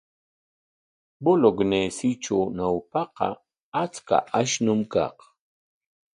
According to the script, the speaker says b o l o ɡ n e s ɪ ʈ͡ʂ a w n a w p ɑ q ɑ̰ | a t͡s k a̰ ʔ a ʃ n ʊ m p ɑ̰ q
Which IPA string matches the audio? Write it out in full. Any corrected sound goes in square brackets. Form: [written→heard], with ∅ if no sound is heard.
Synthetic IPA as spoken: b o l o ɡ n e s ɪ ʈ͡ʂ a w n a w p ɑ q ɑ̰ | a t͡s k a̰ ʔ a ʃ n ʊ m [p→k] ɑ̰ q